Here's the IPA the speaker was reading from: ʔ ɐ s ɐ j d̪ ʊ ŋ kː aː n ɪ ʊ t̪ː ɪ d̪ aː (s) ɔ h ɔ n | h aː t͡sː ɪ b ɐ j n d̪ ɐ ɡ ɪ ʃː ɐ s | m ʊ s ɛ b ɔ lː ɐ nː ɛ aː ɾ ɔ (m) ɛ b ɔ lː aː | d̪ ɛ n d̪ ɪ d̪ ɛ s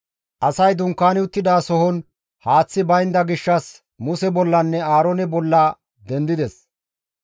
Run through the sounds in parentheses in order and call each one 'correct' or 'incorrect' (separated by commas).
correct, incorrect